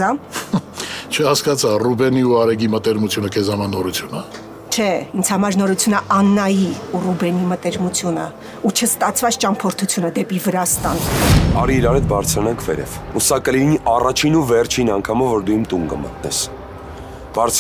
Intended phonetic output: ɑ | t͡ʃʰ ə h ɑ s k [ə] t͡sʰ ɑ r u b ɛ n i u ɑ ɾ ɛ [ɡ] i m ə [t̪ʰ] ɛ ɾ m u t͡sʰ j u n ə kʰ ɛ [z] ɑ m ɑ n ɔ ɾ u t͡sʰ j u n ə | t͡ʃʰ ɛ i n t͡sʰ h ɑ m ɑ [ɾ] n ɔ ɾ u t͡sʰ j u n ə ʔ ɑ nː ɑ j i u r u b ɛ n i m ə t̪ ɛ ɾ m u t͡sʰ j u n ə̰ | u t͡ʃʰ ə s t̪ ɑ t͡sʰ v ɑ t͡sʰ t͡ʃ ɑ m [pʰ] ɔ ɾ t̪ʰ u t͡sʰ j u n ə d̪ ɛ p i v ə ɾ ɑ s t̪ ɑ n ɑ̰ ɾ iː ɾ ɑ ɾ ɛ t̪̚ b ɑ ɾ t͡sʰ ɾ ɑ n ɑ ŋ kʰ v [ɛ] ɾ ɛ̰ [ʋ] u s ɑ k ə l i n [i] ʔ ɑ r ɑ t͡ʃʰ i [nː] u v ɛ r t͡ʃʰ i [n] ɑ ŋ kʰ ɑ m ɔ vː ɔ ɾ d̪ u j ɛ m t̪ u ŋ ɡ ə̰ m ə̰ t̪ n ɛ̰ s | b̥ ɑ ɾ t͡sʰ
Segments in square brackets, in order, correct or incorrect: incorrect: ɑ, correct, incorrect: t̪, correct, correct, correct, correct, incorrect: v, correct, incorrect: n, correct

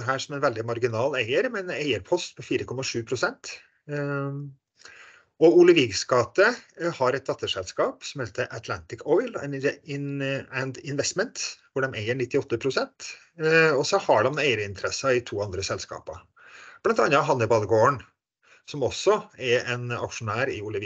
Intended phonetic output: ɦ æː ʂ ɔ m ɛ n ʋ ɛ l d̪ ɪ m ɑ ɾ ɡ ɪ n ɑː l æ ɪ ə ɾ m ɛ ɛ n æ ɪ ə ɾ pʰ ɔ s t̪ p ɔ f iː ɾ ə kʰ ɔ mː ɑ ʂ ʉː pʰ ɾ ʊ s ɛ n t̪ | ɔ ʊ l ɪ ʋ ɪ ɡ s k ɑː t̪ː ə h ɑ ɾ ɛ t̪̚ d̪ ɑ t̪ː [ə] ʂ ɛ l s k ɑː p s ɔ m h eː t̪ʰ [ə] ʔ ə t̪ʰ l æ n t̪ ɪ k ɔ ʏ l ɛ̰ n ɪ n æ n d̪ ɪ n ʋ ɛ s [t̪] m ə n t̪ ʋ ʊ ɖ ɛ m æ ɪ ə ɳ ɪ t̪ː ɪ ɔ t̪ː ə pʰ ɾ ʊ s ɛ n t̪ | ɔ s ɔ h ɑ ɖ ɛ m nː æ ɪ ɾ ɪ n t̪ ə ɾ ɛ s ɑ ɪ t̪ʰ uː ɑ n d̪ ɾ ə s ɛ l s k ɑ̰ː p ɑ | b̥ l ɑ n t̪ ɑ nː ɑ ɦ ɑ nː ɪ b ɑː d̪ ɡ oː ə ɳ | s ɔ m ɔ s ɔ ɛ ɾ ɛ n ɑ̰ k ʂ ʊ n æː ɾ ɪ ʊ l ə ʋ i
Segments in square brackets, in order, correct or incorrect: correct, correct, correct

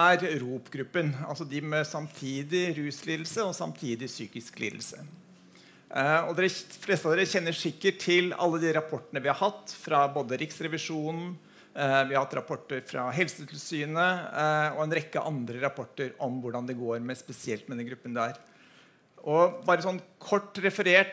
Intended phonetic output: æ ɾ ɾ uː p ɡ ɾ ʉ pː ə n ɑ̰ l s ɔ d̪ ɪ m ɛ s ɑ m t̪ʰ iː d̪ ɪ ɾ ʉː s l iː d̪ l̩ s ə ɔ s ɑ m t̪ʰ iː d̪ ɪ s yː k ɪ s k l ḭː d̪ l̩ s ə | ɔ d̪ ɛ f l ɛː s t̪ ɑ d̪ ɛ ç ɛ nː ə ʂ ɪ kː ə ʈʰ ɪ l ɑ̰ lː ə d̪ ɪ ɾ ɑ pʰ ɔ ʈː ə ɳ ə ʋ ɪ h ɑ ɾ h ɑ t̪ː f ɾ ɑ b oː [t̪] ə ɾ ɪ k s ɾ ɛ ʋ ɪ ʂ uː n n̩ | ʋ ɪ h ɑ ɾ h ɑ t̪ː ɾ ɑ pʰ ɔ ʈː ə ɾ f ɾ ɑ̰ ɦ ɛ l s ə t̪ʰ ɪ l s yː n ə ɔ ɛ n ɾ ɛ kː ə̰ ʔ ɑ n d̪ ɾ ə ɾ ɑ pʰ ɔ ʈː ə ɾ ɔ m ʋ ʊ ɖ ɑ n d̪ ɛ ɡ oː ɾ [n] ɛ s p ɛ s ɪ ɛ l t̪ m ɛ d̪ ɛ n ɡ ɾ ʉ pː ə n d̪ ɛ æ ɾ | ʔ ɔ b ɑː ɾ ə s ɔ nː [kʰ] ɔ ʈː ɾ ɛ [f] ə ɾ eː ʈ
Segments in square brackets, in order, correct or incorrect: incorrect: d̪, incorrect: m, correct, correct

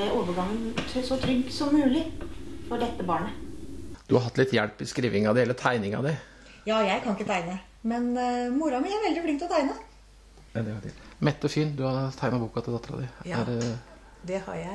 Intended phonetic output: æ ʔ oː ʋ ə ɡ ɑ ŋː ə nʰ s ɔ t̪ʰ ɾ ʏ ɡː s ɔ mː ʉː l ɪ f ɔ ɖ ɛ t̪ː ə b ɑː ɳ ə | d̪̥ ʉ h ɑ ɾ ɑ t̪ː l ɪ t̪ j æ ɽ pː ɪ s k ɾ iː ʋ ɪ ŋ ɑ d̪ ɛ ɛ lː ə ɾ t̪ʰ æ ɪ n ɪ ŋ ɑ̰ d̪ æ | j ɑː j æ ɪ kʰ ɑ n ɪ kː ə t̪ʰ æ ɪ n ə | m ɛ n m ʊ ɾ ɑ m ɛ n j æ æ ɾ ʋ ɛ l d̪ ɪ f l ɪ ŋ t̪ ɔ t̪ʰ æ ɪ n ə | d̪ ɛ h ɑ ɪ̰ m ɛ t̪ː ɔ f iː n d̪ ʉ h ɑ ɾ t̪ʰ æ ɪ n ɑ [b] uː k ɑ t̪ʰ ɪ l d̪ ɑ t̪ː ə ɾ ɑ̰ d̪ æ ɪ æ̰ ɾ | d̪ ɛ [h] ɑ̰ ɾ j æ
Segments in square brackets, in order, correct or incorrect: correct, correct

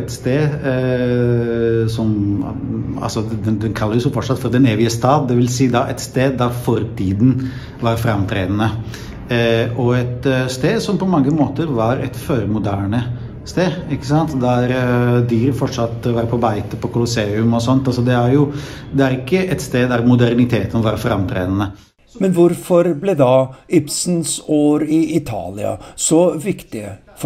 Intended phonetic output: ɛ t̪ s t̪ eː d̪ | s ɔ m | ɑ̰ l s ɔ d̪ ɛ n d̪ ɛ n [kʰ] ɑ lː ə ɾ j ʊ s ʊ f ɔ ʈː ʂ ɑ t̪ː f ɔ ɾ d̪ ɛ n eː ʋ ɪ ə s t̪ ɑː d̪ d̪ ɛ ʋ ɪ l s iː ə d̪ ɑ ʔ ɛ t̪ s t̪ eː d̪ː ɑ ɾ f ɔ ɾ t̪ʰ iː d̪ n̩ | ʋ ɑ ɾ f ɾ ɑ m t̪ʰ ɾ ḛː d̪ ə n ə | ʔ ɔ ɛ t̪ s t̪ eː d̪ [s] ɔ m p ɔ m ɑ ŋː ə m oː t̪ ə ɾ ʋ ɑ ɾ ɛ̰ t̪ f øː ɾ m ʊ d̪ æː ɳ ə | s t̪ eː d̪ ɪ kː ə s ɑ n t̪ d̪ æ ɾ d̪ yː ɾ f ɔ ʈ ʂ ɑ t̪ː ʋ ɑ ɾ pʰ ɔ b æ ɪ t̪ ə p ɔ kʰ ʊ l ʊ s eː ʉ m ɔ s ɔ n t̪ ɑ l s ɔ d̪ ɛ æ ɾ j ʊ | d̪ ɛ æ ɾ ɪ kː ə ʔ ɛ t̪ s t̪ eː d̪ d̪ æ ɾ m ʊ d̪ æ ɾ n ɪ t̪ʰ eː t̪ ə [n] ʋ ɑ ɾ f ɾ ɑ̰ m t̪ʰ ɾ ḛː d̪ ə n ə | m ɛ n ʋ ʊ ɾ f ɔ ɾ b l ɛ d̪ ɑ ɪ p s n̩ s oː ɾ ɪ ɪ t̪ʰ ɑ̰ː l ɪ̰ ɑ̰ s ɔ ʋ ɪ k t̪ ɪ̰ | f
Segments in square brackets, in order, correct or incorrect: correct, correct, correct

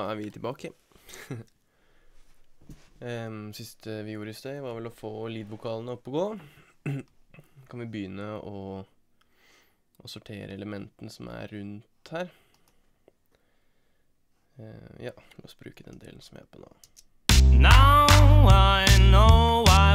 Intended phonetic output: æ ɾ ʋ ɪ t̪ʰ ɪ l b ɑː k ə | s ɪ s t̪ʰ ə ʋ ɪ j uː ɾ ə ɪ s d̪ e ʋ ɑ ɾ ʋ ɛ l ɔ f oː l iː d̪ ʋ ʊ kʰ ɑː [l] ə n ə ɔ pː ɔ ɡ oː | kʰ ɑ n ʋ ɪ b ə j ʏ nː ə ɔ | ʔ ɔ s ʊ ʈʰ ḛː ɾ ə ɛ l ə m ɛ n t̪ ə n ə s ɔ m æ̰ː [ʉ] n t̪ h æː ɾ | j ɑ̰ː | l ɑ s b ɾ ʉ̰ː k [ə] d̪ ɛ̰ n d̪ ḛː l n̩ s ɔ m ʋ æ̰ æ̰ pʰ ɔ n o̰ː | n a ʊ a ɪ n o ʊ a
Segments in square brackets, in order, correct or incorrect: correct, correct, correct

